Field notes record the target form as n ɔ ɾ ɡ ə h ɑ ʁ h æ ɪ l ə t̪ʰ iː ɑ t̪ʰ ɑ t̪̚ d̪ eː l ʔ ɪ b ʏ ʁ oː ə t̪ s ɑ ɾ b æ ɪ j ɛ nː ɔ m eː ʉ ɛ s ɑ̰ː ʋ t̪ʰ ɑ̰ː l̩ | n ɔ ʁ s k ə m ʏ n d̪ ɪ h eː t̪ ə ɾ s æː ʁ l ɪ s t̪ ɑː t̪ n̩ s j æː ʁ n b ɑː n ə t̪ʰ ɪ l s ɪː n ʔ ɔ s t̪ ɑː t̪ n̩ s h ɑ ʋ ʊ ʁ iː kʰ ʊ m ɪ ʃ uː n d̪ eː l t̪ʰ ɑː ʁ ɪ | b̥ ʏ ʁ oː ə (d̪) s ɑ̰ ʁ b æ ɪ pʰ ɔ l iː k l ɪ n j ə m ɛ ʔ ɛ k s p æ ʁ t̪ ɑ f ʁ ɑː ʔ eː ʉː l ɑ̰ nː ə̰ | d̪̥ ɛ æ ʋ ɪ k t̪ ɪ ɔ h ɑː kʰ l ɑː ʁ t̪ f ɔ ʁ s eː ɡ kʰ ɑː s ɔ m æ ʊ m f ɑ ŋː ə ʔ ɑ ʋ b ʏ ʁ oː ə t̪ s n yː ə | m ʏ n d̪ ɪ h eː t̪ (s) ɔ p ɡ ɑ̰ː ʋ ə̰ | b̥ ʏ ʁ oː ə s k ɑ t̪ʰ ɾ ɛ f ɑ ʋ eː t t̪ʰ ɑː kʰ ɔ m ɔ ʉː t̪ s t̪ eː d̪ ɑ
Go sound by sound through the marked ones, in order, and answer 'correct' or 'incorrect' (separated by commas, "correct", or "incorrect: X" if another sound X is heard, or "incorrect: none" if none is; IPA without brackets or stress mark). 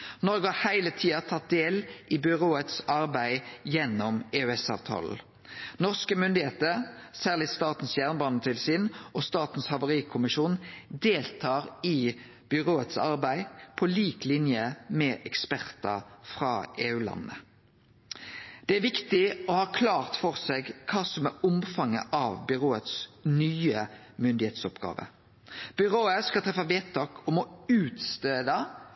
incorrect: t̪, correct